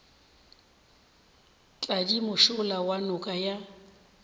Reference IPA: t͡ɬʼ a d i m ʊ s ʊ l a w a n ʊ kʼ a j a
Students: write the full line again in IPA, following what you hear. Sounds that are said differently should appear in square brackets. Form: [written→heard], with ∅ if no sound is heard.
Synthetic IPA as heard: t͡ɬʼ a d i m ʊ [s→ʃ] ʊ l a w a n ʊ kʼ a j a